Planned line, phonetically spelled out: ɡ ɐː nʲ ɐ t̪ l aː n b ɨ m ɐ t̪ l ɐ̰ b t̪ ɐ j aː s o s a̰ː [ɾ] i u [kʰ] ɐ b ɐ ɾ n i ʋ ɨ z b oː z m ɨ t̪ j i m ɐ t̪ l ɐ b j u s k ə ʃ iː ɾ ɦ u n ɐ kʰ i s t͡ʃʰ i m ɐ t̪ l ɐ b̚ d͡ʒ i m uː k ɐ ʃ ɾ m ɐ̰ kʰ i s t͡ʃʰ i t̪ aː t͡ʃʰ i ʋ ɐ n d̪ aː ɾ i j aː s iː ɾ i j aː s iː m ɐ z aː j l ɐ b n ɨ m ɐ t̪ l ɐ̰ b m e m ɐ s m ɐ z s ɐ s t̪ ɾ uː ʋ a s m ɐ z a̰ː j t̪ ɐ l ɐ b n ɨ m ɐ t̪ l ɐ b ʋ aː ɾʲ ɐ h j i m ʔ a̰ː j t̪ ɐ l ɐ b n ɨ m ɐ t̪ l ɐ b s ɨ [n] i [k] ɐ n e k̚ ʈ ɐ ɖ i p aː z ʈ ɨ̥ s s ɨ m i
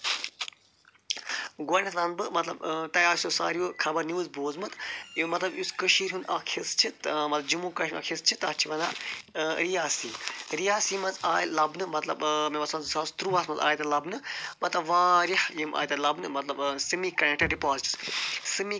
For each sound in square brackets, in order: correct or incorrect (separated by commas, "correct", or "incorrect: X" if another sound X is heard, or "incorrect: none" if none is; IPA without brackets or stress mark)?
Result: correct, correct, incorrect: m, correct